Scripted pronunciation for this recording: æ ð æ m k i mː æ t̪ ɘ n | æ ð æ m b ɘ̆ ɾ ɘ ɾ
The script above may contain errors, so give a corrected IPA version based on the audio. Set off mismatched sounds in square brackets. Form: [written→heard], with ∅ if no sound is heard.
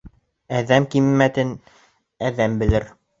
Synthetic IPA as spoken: æ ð æ m k i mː æ t̪ ɘ n | æ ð æ m b ɘ̆ [ɾ→l] ɘ ɾ